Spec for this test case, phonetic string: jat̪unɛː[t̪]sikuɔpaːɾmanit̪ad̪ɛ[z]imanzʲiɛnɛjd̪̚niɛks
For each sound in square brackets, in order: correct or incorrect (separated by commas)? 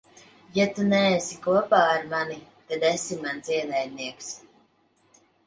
incorrect, incorrect